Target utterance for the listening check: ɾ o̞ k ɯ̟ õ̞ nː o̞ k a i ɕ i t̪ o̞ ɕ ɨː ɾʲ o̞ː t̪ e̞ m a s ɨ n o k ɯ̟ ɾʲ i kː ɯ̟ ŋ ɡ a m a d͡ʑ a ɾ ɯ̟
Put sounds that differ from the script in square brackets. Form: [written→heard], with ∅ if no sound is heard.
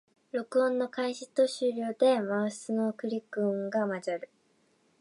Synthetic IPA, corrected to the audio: ɾ o̞ k ɯ̟ õ̞ nː o̞ k a i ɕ i t̪ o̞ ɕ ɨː ɾʲ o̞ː [t̪→d̪] e̞ m a s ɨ n o k ɯ̟ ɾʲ i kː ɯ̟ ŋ ɡ a m a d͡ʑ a ɾ ɯ̟